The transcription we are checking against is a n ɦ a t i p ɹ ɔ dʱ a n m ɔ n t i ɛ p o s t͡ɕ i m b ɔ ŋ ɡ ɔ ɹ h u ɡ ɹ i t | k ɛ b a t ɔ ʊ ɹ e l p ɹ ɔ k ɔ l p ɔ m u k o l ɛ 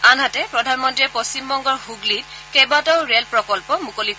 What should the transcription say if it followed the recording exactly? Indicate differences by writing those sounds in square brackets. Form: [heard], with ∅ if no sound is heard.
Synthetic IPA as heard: a n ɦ a t [ɛ] p ɹ ɔ dʱ a n m ɔ n t i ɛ p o s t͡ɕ i m b ɔ ŋ ɡ ɔ ɹ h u ɡ [l] i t | k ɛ b a t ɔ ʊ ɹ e l p ɹ ɔ k ɔ l p ɔ m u k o l [i]